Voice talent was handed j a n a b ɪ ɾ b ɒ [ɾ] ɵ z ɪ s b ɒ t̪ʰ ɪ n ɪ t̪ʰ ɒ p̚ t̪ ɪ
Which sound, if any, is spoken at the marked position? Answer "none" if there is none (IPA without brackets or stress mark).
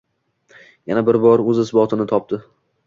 ɾ